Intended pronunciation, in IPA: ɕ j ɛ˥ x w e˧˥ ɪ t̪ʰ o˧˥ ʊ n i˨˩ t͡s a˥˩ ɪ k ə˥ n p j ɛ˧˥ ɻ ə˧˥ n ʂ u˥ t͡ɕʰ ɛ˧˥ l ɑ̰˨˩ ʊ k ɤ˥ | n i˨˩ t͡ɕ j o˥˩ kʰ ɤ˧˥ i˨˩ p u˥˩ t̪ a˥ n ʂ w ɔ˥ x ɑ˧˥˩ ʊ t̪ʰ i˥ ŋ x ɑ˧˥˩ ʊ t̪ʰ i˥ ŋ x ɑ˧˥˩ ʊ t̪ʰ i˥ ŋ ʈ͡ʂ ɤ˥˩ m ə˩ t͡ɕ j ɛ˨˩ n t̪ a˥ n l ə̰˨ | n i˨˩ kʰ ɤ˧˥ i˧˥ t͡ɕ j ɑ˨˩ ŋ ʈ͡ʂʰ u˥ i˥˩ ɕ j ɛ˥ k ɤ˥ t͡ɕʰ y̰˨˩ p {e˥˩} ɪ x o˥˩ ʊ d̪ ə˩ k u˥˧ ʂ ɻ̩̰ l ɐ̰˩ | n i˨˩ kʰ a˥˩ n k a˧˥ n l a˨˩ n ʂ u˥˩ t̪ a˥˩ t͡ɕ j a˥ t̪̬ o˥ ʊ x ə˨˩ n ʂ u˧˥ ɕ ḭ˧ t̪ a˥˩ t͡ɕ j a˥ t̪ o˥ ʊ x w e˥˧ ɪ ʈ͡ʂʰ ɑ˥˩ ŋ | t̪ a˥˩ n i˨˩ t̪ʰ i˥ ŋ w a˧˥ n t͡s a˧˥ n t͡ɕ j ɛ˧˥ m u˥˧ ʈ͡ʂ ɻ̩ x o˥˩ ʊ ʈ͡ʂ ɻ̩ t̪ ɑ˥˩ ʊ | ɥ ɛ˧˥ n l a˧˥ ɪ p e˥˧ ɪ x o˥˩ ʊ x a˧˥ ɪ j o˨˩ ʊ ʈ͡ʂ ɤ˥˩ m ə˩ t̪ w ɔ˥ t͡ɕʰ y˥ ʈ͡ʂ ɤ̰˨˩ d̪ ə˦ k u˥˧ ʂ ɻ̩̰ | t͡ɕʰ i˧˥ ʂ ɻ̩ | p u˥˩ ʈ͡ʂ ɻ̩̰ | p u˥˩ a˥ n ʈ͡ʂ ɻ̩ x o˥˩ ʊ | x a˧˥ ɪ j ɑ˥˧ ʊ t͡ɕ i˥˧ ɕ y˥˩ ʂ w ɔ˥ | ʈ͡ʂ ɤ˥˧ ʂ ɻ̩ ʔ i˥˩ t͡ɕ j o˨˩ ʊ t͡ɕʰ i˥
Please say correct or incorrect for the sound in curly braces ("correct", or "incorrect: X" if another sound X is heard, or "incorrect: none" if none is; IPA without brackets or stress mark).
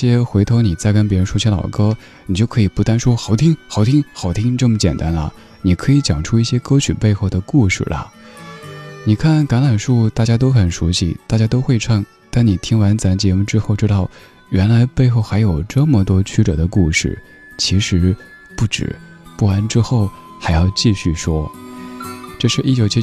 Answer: incorrect: e˥˧